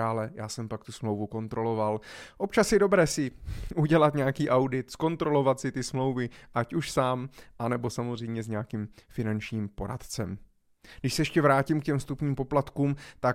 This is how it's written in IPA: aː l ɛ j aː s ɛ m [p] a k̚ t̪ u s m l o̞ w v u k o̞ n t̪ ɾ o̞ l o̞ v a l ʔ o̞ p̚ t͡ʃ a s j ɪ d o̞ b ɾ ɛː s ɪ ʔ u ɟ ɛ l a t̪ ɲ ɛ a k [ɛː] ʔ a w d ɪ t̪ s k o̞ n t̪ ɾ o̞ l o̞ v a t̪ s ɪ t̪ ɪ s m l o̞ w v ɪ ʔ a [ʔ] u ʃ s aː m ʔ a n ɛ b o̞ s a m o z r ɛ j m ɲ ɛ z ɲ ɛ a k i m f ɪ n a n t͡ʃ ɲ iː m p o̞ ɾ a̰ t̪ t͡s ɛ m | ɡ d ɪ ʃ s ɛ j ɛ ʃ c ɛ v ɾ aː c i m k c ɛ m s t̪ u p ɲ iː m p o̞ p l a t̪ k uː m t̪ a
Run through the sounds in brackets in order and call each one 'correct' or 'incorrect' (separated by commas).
correct, incorrect, incorrect